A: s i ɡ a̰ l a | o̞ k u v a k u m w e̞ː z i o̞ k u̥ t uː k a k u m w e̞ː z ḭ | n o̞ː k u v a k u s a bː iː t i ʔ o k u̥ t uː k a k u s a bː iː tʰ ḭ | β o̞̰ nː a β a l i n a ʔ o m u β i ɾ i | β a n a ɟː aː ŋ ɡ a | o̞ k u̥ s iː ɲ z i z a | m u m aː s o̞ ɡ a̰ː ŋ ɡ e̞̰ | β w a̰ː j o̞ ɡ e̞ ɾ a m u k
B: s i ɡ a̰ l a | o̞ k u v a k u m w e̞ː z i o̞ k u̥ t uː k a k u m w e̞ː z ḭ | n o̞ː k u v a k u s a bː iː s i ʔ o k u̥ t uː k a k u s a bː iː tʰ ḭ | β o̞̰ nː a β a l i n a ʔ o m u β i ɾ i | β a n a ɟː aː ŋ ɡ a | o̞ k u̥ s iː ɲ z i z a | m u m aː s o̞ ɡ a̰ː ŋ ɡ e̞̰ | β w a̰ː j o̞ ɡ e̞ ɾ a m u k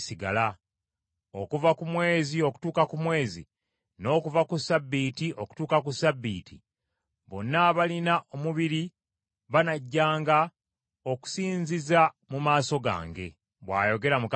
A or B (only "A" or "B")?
A